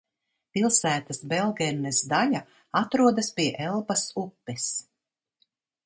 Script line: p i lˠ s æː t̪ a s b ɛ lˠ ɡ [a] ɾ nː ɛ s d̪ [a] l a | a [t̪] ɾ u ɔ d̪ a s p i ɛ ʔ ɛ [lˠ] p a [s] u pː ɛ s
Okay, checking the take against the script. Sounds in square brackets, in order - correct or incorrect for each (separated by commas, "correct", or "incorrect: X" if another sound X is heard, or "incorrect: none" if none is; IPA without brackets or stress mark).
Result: incorrect: ɛ, correct, correct, correct, correct